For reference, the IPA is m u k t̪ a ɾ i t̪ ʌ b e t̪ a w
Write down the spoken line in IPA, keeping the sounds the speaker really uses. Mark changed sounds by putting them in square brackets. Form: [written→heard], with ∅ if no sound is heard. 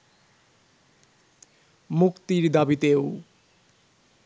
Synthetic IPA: m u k t̪ [a→i] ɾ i [t̪→d̪] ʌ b [e→i] t̪ [a→e] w